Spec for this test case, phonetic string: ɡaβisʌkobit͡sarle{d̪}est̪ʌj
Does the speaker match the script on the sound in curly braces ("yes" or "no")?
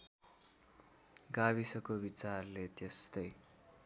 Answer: no